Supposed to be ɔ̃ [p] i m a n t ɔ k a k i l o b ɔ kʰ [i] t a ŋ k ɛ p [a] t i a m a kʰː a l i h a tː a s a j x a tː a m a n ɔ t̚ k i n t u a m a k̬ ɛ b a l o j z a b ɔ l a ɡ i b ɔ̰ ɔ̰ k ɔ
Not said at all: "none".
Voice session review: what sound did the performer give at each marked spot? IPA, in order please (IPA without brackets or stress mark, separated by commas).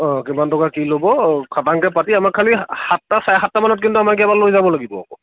k, a, a